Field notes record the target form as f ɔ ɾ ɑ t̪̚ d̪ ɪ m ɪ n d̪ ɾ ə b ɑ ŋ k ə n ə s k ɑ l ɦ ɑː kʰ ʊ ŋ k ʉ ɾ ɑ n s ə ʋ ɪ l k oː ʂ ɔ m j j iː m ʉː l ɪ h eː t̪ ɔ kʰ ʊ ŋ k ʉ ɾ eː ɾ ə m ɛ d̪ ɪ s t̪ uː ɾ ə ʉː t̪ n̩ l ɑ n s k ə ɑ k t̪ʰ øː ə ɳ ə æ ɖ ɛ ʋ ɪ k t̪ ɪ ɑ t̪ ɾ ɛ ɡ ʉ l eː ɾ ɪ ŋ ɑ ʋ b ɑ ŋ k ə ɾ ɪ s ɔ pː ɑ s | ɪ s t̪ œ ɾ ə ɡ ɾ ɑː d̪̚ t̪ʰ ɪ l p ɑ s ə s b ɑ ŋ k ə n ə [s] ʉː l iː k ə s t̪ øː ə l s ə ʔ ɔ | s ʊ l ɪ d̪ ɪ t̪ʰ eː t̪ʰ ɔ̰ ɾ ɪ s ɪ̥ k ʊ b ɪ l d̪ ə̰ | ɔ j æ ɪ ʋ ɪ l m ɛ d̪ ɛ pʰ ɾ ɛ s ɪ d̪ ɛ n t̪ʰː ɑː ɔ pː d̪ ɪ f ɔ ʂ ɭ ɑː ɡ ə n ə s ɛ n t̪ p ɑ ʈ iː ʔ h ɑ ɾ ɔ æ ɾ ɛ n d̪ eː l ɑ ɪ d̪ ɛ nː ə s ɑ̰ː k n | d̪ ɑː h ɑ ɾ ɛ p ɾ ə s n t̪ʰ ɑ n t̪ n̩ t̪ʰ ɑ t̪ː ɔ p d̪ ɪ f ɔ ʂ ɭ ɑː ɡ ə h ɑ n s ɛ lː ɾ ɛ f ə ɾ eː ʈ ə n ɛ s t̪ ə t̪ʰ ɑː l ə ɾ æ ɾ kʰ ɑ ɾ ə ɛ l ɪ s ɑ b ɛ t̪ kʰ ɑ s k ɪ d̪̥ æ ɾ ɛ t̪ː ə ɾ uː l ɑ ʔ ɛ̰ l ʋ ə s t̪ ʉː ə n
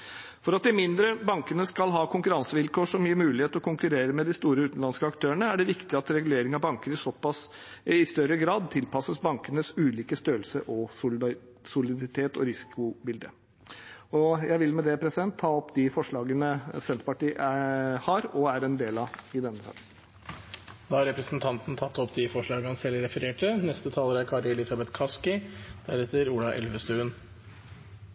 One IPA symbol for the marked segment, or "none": s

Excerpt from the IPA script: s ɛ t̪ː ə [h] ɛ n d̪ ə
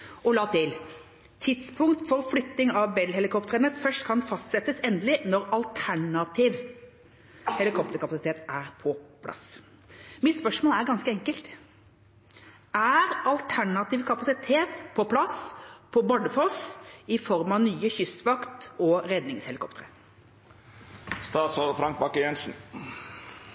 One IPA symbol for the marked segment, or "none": s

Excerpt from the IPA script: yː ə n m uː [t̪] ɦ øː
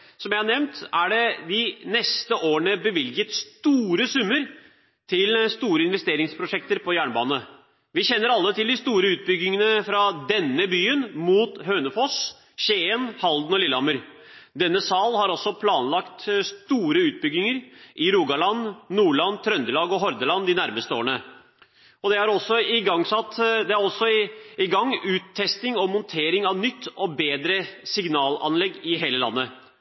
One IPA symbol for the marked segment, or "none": t̪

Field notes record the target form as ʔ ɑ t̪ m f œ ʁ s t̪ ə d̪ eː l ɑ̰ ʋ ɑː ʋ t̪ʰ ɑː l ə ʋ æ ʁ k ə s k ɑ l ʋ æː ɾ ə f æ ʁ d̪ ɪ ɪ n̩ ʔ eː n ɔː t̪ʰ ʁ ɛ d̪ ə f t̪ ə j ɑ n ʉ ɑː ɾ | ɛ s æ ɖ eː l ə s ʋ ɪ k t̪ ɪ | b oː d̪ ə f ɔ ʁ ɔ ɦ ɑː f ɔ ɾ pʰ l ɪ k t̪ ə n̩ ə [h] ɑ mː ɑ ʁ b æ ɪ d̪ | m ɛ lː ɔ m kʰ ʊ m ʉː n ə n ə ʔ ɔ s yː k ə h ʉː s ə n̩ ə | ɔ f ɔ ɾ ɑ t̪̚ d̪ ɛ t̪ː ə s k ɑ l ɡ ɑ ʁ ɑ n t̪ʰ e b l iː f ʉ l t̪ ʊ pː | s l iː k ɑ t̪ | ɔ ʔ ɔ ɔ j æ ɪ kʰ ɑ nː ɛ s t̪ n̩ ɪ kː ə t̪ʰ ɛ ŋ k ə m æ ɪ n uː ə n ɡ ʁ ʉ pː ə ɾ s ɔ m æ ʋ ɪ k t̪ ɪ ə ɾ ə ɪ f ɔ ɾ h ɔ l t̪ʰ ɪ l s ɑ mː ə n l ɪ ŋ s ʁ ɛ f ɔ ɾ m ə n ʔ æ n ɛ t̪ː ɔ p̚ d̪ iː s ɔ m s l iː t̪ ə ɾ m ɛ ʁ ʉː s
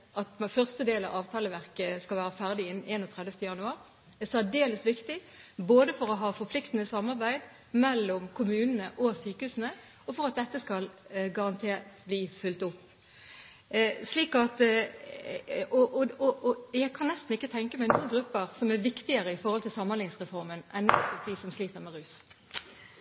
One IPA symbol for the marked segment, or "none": s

